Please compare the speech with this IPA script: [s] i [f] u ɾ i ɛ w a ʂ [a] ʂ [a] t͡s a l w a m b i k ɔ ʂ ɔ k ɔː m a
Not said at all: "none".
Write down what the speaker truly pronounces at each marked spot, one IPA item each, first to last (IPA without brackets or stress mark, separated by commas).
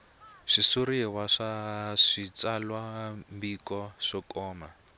ʂ, s, a, i